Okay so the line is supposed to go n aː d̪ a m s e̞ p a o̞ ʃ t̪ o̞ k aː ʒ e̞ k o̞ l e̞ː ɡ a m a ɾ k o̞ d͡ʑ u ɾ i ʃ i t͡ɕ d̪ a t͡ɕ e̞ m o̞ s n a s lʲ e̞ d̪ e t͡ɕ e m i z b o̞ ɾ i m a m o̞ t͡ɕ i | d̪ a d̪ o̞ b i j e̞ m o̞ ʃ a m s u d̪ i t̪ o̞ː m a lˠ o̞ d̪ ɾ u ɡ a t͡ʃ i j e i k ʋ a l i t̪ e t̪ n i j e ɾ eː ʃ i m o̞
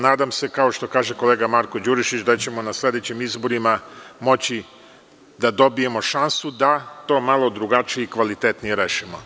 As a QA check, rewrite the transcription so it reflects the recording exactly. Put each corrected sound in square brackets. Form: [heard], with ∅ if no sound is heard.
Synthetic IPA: n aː d̪ a m s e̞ [k] a o̞ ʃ t̪ o̞ k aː ʒ e̞ k o̞ l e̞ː ɡ a m a ɾ k o̞ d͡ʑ u ɾ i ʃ i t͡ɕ d̪ a t͡ɕ e̞ m o̞ [∅] n a s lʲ e̞ d̪ e t͡ɕ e m i z b o̞ ɾ i m a m o̞ t͡ɕ i | d̪ a d̪ o̞ b i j e̞ m o̞ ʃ a [n] s u d̪ [a] t̪ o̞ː m a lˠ o̞ d̪ ɾ u ɡ a t͡ʃ i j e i k ʋ a l i t̪ e t̪ n i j e ɾ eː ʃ i m o̞

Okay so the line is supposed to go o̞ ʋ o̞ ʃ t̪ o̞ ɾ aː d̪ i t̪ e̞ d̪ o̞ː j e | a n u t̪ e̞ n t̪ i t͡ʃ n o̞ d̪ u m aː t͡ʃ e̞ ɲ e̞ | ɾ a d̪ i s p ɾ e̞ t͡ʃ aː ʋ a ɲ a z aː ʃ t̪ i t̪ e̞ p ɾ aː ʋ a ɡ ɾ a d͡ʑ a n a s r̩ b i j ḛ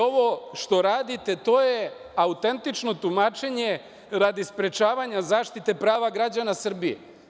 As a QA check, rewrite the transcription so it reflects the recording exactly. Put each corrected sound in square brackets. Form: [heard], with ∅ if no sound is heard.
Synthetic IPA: o̞ ʋ o̞ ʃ t̪ o̞ ɾ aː d̪ i t̪ e̞ [t̪] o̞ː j e | a [∅] u t̪ e̞ n t̪ i t͡ʃ n o̞ [t̪] u m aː t͡ʃ e̞ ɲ e̞ | ɾ a d̪ i s p ɾ e̞ t͡ʃ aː ʋ a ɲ a z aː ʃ t̪ i t̪ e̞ p ɾ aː ʋ a ɡ ɾ a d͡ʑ a n a s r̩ b i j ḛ

